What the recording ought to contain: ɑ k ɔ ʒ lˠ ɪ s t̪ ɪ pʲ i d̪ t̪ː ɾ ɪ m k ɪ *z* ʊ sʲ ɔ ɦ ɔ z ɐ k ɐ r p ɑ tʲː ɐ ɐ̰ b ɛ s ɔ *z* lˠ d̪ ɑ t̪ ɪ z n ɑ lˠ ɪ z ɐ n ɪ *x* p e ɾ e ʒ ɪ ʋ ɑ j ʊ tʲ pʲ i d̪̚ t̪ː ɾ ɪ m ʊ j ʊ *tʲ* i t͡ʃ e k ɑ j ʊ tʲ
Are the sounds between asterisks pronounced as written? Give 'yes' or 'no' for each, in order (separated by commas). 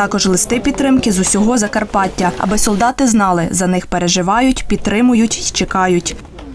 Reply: yes, no, yes, yes